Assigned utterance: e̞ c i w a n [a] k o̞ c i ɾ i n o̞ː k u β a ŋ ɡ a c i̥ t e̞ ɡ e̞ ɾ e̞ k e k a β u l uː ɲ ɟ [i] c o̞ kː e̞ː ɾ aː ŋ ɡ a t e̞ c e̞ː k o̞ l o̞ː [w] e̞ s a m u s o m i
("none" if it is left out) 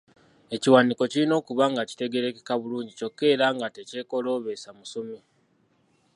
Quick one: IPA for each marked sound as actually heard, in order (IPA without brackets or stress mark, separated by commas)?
i, i, β